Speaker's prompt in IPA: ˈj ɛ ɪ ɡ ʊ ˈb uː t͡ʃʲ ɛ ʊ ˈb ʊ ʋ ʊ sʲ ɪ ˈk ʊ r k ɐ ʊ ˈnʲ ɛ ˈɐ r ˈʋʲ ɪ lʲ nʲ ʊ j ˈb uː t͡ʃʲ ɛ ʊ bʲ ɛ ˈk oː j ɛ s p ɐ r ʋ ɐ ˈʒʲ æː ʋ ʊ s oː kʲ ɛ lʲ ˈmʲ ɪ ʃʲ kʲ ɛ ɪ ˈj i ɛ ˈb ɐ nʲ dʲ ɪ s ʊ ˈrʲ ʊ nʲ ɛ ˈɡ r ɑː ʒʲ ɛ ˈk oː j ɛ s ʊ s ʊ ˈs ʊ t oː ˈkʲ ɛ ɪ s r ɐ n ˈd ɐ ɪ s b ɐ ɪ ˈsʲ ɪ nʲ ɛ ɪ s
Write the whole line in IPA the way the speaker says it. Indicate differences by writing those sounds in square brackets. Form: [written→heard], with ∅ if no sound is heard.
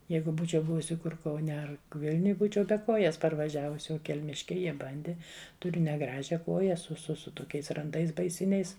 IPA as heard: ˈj ɛ ɪ ɡ ʊ ˈb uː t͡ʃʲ ɛ ʊ ˈb ʊ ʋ ʊ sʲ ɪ ˈk ʊ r k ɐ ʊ ˈnʲ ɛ ˈɐ r ˈʋʲ ɪ lʲ nʲ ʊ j ˈb uː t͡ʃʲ ɛ ʊ bʲ ɛ ˈk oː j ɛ s p ɐ r ʋ ɐ ˈʒʲ æː ʋ ʊ s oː kʲ ɛ lʲ ˈmʲ ɪ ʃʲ kʲ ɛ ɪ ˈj i ɛ ˈb ɐ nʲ dʲ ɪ [s→t] ʊ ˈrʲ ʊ nʲ ɛ ˈɡ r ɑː ʒʲ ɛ ˈk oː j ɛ s ʊ s ʊ ˈs ʊ t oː ˈkʲ ɛ ɪ s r ɐ n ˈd ɐ ɪ s b ɐ ɪ ˈsʲ ɪ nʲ ɛ ɪ s